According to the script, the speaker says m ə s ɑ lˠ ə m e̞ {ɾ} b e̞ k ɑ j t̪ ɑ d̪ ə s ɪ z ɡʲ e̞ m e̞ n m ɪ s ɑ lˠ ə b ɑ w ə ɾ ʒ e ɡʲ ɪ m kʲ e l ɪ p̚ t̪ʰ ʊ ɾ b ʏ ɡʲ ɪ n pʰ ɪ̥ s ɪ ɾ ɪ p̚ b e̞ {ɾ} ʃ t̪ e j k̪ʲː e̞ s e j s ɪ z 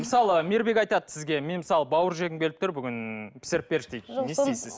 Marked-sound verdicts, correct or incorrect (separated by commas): correct, correct